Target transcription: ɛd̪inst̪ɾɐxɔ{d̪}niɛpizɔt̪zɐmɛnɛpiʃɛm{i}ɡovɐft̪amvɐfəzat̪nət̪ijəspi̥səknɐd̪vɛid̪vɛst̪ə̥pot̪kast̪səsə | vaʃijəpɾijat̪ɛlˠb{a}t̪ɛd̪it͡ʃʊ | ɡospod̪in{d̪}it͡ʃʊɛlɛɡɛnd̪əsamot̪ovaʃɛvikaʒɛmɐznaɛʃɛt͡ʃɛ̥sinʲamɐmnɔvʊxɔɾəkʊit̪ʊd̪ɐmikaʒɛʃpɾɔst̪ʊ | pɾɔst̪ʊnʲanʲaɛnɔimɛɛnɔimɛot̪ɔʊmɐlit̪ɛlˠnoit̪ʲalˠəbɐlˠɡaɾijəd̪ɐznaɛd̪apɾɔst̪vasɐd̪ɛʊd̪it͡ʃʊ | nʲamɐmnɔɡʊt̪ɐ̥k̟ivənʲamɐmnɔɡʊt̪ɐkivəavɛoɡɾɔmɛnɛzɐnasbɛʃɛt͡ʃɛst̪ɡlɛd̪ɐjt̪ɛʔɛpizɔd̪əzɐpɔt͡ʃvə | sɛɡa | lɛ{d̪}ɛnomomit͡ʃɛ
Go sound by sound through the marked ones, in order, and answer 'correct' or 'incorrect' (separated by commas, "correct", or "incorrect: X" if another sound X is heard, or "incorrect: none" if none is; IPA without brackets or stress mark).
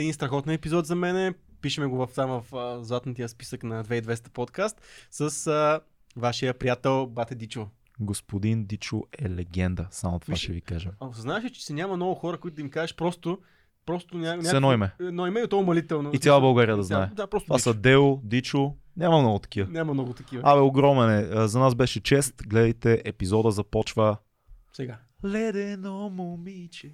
incorrect: t̪, incorrect: ɛ, correct, correct, correct